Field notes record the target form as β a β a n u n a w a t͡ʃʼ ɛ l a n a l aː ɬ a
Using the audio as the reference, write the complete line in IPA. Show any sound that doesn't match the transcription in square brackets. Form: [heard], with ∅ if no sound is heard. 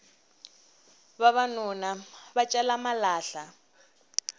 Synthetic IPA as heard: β a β a n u n a [β] a t͡ʃʼ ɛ l a [m] a l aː ɬ a